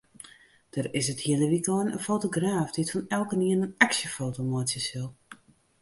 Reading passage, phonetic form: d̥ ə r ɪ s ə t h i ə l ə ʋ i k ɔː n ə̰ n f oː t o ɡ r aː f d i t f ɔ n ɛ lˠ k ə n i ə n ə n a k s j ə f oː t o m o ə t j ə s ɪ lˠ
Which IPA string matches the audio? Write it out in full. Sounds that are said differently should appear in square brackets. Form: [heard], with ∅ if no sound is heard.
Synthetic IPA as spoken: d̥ ə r ɪ s ə t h i ə l ə ʋ i k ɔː n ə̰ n f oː t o ɡ r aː f d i t f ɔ n ɛ lˠ k ə n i ə n ə n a k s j ə f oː t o m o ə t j ə s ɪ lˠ